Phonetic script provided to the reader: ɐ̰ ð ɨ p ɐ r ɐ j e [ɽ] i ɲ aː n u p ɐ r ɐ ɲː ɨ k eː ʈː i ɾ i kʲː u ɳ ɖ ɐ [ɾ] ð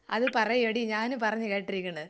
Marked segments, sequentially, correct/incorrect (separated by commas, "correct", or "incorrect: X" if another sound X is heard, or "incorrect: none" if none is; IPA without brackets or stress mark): correct, incorrect: none